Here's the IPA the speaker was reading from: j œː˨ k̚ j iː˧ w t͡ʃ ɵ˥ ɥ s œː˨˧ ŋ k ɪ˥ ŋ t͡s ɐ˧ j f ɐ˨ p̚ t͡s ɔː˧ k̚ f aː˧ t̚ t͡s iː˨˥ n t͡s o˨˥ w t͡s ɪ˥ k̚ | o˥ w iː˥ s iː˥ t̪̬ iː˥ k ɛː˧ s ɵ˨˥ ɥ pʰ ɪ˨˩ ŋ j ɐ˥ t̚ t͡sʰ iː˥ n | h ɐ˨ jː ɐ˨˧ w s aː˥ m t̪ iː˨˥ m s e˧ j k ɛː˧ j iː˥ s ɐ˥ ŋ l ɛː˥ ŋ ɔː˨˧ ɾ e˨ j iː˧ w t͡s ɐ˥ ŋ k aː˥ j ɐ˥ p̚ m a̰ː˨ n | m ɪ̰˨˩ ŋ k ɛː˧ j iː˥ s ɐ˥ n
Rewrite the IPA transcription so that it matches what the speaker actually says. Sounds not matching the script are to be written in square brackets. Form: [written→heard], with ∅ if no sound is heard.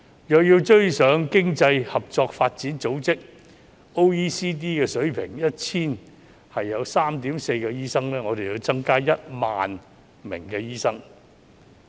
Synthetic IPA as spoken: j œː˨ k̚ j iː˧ w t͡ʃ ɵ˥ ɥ s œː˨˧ ŋ k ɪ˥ ŋ t͡s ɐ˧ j [f→h] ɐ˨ p̚ t͡s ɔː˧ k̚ f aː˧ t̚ t͡s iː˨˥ n t͡s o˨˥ w t͡s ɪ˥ k̚ | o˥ w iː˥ s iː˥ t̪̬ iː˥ k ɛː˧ s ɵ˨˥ ɥ pʰ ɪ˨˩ ŋ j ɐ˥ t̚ t͡sʰ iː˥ n | h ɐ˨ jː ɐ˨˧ w s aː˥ m t̪ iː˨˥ m s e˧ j k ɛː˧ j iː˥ s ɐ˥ ŋ l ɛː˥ ŋ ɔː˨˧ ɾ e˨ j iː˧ w t͡s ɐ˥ ŋ k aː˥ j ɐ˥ [p̚→t̚] m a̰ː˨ n | m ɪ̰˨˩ ŋ k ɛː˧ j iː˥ s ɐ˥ [n→ŋ]